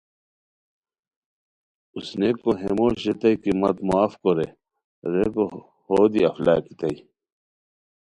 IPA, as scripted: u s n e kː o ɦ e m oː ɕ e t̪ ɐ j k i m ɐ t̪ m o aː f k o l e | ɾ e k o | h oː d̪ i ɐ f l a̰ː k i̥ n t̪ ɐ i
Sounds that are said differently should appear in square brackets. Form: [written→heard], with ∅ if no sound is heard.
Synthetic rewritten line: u s n e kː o ɦ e m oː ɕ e t̪ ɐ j k i m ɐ t̪ m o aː f k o [l→ɾ] e | ɾ e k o | h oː d̪ i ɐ f l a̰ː k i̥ [n→∅] t̪ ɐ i